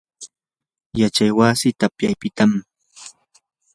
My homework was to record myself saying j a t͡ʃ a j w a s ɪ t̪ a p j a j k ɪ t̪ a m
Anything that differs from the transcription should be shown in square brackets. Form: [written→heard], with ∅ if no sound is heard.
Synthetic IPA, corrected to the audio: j a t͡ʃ a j w a s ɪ t̪ a p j a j [k→p] ɪ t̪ a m